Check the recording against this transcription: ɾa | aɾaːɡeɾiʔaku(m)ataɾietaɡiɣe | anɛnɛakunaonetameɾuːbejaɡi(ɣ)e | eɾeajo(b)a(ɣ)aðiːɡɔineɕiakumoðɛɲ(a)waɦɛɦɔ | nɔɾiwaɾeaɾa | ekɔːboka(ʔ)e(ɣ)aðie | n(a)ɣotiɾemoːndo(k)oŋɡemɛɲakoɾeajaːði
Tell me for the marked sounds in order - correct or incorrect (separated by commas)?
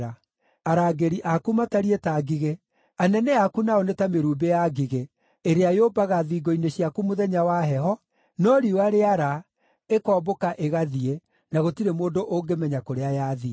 correct, correct, correct, correct, correct, correct, correct, correct, incorrect